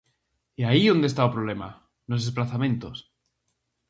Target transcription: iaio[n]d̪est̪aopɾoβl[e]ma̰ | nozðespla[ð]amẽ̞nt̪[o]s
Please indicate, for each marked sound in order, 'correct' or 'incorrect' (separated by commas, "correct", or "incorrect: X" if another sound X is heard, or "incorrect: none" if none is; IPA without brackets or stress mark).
correct, correct, incorrect: θ, correct